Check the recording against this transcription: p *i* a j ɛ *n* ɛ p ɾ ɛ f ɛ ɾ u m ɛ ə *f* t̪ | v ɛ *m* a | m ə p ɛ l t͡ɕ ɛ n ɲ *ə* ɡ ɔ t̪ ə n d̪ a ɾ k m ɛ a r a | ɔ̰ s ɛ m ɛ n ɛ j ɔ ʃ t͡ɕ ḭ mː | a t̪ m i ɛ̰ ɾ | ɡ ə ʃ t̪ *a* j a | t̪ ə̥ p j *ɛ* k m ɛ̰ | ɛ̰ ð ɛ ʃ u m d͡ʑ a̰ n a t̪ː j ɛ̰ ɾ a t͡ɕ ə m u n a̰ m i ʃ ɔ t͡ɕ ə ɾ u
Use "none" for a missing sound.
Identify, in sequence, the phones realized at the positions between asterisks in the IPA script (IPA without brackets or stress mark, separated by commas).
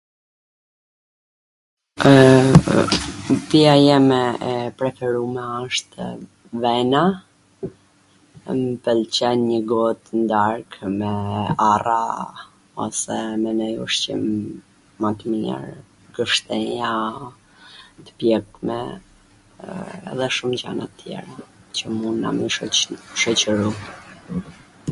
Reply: i, m, ʃ, n, ə, ɛ, ɛ